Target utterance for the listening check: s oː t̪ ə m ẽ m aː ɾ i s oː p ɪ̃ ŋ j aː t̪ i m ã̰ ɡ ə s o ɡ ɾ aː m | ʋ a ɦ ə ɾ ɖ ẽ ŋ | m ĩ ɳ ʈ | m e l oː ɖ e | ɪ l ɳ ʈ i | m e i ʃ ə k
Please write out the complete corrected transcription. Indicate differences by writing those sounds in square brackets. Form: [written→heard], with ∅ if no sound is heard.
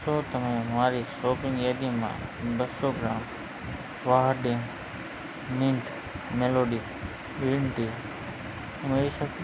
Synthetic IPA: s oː t̪ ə m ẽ m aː ɾ i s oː p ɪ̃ ŋ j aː [t̪→d̪] i m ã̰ [ɡ→b] ə s o ɡ ɾ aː m | ʋ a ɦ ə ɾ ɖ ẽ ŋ | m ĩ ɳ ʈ | m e l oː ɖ [e→i] | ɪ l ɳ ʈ i | m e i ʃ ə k